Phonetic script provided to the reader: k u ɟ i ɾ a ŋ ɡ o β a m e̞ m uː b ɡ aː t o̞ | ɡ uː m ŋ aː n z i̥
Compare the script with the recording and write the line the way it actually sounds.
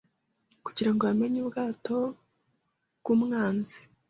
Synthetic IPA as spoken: k u ɟ i ɾ a ŋ ɡ o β a m e̞ ɲ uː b ɡ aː t o̞ | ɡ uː m ŋ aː n z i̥